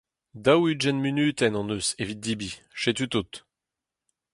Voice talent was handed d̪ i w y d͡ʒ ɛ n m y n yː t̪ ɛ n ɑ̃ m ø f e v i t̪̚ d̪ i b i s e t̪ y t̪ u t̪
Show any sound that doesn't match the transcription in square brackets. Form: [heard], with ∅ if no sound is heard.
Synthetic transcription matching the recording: d̪ [a] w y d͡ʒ ɛ n m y n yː t̪ ɛ n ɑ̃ [n] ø [s] e v i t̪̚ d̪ i b i [ʃ] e t̪ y t̪ u t̪